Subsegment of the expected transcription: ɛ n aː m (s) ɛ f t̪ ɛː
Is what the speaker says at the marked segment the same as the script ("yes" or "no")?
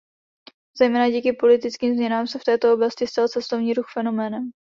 yes